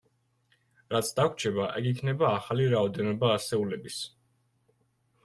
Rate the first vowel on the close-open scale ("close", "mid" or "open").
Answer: open